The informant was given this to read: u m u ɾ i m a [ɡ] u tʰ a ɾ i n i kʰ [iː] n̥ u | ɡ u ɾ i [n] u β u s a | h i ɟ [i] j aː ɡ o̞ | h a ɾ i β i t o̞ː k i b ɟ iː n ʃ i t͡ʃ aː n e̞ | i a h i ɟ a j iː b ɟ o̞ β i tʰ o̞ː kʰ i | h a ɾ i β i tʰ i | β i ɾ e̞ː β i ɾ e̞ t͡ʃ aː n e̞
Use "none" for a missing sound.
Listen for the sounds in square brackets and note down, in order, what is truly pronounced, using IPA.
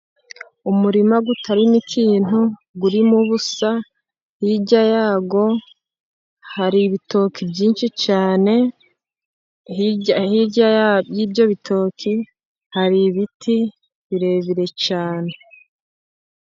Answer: ɡ, iː, m, a

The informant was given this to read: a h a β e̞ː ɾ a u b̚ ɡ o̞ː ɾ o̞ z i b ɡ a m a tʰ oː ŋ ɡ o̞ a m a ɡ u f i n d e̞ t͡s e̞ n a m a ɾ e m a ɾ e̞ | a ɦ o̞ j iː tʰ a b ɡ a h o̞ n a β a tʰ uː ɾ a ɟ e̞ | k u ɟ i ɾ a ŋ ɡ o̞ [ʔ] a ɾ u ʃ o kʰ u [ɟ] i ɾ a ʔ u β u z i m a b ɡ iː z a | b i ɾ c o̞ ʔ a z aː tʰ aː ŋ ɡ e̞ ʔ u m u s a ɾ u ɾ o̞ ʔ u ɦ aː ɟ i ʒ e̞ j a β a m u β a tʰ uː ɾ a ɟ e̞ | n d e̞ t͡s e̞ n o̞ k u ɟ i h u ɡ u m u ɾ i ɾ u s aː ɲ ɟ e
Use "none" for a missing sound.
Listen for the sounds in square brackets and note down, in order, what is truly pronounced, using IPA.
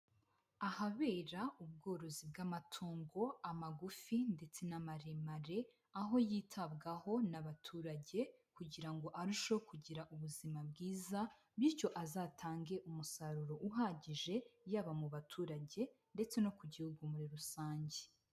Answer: ʔ, ɟ

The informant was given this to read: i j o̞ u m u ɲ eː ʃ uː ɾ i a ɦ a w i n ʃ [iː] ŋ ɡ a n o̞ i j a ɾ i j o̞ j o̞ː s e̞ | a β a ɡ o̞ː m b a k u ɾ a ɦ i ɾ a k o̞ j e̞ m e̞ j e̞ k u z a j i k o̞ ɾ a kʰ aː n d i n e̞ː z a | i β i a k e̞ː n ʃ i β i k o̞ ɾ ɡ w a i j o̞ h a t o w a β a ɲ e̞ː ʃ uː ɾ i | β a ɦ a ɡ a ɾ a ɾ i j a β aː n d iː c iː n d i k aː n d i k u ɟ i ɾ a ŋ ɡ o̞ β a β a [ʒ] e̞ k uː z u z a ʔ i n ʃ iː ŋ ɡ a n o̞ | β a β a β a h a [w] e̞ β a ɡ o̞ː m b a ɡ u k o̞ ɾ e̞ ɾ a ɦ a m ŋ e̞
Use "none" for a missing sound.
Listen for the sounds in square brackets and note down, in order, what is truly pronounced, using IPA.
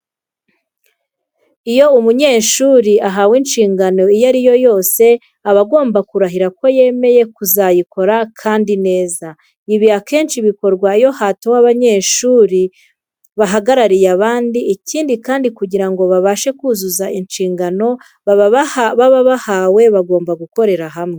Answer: iː, ʃ, w

